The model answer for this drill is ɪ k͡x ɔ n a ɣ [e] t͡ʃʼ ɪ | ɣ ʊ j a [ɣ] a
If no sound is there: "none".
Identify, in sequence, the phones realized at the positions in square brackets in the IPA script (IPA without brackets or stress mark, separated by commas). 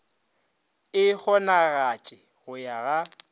a, ɣ